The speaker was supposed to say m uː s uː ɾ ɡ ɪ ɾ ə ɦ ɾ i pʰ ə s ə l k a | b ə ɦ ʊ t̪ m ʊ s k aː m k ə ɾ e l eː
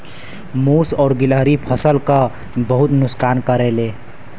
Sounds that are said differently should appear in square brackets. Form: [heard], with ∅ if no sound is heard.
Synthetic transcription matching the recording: m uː s [ɔː] ɾ ɡ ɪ [l] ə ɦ ɾ i pʰ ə s ə l k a | b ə ɦ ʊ t̪ [n] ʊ s k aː [n] k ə ɾ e l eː